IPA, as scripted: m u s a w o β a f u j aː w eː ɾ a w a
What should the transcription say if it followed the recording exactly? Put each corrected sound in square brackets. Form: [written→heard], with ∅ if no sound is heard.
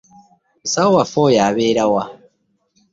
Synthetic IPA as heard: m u s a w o [β→w] a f [u→o] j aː [w→β] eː ɾ a w a